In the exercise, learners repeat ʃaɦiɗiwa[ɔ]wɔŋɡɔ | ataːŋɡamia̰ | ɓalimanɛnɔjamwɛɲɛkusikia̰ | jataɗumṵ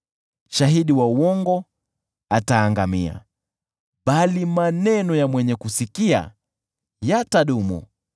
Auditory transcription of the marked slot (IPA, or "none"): u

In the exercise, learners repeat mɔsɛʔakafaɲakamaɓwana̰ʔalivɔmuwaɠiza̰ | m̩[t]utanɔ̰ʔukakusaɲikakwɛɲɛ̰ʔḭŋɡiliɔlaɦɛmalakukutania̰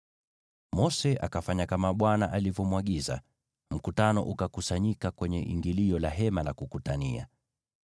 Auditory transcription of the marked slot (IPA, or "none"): k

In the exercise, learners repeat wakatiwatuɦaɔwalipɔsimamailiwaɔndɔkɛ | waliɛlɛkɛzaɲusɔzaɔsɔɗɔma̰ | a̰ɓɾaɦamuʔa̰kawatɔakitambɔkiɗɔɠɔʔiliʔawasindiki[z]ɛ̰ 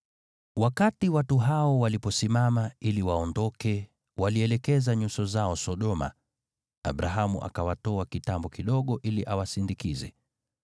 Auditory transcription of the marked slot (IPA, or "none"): z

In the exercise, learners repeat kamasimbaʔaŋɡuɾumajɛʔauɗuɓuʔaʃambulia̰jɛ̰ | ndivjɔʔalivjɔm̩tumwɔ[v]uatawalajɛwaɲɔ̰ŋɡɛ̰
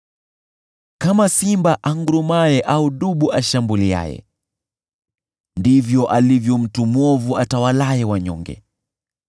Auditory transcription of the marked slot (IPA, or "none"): v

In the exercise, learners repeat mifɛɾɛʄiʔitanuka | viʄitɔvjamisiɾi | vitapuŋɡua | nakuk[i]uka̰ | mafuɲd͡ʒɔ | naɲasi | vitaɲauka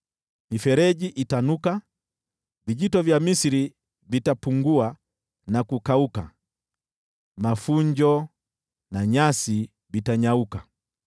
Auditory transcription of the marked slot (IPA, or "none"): a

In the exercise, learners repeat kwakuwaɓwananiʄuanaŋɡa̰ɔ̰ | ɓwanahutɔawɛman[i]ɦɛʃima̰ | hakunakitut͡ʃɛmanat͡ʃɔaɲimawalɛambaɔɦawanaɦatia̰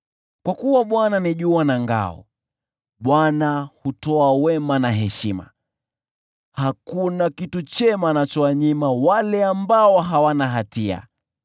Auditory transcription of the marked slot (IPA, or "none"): a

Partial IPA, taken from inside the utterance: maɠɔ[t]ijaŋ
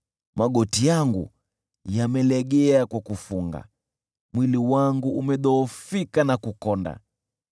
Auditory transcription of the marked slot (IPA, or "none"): t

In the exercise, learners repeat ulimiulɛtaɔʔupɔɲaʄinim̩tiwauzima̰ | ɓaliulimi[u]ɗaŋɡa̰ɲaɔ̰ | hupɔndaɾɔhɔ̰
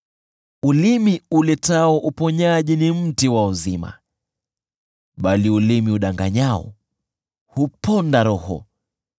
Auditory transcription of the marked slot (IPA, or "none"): u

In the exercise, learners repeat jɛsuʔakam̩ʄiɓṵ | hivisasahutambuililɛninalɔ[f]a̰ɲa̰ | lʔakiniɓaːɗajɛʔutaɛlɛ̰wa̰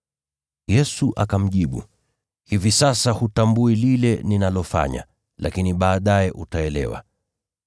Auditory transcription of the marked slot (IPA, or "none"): f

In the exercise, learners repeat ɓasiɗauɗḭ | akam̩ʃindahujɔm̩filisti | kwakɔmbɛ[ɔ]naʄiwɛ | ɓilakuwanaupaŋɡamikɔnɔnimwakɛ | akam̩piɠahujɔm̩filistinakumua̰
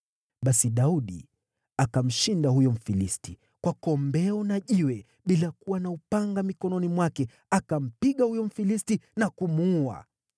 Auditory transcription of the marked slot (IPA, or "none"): ɔ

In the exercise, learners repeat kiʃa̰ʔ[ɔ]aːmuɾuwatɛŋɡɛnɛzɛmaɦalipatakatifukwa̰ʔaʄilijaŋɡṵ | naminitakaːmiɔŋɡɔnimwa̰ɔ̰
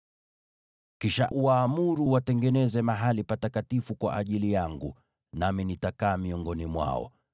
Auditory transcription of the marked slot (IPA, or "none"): u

